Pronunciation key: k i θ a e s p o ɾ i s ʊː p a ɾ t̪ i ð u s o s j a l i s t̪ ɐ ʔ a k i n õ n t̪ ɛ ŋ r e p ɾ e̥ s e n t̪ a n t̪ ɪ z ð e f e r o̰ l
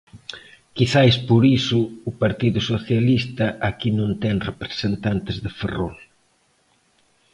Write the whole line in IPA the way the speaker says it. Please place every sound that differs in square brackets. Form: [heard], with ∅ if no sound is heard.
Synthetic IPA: k i θ a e s p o ɾ i s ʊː p a ɾ t̪ i ð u s o [θ] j a l i s t̪ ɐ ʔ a k i n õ n t̪ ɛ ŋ r e p ɾ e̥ s e n t̪ a n t̪ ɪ z ð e f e r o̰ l

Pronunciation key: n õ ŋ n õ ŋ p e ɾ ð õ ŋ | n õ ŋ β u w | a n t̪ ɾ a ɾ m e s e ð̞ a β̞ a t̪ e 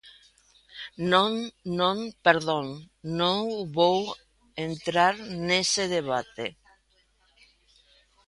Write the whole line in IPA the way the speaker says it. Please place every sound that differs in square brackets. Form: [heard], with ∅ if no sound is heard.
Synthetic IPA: n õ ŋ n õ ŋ p e ɾ ð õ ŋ | n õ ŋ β [o] w | [e] n t̪ ɾ a ɾ [n] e s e ð̞ [e] β̞ a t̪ e

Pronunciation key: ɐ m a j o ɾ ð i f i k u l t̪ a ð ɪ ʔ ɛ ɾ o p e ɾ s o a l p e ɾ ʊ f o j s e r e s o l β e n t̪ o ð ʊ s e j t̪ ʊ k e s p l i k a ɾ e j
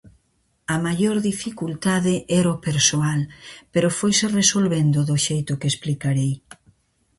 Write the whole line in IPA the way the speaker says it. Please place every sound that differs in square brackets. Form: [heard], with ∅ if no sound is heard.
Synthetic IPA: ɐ m a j o ɾ ð i f i k u l t̪ a ð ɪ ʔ ɛ ɾ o p e ɾ s o a l p e ɾ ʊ f o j s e r e s o l β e n [d̪] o ð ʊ [ʃ] e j t̪ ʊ k e s p l i k a ɾ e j

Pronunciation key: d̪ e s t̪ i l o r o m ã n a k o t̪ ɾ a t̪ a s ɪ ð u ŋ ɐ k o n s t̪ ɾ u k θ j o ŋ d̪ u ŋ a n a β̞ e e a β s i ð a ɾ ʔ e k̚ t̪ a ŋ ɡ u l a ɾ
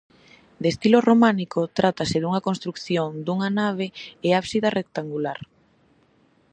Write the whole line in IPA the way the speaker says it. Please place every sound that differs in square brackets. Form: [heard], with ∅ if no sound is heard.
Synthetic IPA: d̪ e s t̪ i l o r o m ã n [i] k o t̪ ɾ a t̪ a s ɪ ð u ŋ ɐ k o n s t̪ ɾ u k θ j o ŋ d̪ u ŋ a n a β̞ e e a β s i ð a [r] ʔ e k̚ t̪ a ŋ ɡ u l a ɾ

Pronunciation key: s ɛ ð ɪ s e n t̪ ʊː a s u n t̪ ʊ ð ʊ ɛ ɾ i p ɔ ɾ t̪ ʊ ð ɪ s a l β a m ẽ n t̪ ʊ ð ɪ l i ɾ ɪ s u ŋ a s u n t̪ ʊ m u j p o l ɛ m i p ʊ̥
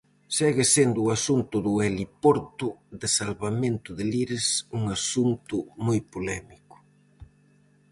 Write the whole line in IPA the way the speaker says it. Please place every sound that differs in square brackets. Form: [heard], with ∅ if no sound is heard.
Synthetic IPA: s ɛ [ɣ] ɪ s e n [d̪] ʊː a s u n t̪ ʊ ð ʊ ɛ [l] i p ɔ ɾ t̪ ʊ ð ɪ s a l β a m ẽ n t̪ ʊ ð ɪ l i ɾ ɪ s u ŋ a s u n t̪ ʊ m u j p o l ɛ m i [k] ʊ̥

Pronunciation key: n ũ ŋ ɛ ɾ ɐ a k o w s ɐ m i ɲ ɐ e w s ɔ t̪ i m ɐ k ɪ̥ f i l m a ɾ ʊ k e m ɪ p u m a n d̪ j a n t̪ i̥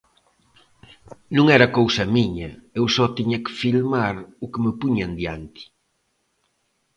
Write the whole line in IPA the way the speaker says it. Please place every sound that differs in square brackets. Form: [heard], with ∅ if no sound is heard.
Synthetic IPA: n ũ ŋ ɛ ɾ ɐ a k o w s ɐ m i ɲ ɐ e w s ɔ t̪ i [ɲ] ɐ k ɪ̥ f i l m a ɾ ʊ k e m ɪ p u [ɲ] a n d̪ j a n t̪ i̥

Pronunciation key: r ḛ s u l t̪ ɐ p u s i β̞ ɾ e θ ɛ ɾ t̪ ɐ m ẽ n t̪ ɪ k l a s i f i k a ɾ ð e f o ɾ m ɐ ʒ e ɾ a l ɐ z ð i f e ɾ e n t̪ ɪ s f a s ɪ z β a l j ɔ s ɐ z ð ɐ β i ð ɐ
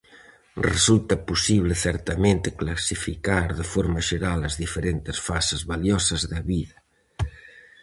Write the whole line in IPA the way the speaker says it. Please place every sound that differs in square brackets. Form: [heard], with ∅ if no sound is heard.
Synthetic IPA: r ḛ s u l t̪ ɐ p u s i β̞ [l] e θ ɛ ɾ t̪ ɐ m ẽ n t̪ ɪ k l a s i f i k a ɾ ð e f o ɾ m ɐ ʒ e ɾ a l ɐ z ð i f e ɾ e n t̪ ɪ s f a s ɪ z β a l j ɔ s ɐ z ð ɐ β i ð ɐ

